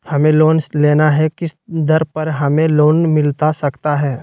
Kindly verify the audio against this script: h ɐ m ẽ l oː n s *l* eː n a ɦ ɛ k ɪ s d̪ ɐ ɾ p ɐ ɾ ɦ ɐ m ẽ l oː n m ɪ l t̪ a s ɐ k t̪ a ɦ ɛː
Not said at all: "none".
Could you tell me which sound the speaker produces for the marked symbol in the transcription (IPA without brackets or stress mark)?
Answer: l